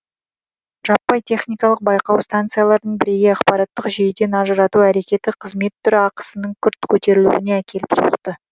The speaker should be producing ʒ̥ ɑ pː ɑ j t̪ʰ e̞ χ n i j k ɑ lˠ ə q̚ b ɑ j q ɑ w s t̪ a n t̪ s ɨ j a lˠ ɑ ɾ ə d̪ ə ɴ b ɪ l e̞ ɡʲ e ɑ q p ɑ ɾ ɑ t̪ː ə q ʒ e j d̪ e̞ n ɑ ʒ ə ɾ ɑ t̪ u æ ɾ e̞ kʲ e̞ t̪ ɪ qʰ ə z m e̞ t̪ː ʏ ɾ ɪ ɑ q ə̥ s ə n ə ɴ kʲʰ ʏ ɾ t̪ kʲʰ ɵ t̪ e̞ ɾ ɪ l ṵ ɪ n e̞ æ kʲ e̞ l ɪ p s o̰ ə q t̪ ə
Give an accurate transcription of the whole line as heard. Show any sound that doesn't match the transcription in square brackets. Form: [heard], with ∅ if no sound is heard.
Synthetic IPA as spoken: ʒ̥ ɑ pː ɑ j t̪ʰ e̞ χ n i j k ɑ lˠ ə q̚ b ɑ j q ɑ w s t̪ a n t̪ s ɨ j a lˠ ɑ ɾ ə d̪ ə ɴ b ɪ [ɾ] e̞ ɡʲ e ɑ q p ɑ ɾ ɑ t̪ː ə q ʒ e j d̪ e̞ n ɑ ʒ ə ɾ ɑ t̪ u æ ɾ e̞ kʲ e̞ t̪ ɪ qʰ ə z m e̞ t̪ː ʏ ɾ ɪ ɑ q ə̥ s ə n ə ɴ kʲʰ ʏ ɾ t̪ kʲʰ ɵ t̪ e̞ ɾ ɪ l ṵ ɪ n e̞ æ kʲ e̞ l ɪ p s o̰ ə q t̪ ə